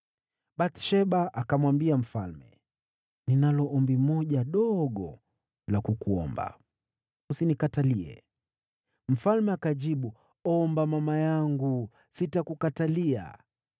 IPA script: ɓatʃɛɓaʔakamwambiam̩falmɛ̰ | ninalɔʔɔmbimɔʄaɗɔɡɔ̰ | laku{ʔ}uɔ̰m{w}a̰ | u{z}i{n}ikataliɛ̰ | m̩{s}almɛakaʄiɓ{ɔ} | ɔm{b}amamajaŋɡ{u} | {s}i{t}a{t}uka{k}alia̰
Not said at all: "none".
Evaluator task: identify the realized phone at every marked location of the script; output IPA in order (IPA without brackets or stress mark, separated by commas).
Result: k, b, s, n, f, u, b, u, s, t, k, t